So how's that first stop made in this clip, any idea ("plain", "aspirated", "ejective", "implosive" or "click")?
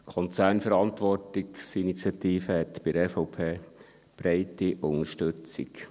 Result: aspirated